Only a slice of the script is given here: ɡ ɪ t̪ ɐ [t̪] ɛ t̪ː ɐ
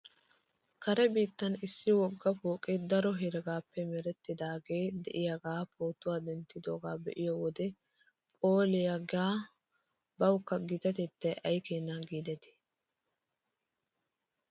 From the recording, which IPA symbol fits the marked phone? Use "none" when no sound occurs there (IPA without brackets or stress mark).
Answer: t̪